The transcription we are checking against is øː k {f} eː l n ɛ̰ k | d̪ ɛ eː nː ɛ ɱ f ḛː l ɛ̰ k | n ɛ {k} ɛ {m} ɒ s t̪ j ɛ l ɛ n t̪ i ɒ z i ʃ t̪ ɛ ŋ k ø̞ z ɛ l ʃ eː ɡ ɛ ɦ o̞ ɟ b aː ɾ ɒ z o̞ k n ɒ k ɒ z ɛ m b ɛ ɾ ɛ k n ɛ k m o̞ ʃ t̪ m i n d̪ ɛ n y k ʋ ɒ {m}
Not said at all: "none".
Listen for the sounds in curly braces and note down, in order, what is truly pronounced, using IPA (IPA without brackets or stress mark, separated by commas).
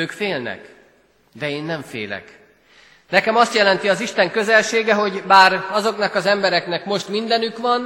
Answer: f, k, m, n